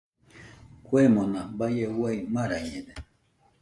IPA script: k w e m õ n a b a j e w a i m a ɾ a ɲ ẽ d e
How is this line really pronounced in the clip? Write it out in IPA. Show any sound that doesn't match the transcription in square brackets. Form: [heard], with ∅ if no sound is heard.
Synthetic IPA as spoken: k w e m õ n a b a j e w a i m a ɾ a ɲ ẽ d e